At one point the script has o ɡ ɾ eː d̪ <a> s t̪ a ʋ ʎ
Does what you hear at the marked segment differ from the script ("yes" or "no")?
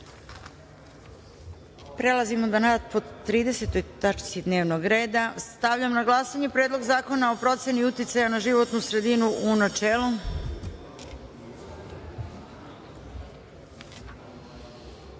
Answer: no